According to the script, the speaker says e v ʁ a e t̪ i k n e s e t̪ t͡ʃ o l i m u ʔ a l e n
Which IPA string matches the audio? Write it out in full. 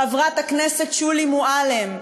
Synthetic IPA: a v ʁ a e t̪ a k n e s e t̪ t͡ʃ u l i m u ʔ a l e m